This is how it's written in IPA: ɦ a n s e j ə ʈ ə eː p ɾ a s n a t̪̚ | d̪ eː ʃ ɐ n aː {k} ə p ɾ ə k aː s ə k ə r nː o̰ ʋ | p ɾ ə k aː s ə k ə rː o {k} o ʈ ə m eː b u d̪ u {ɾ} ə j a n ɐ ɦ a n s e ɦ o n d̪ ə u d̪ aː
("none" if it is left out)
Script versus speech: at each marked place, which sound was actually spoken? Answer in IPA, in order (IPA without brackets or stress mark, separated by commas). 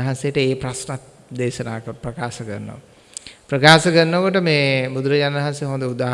k, k, ɾ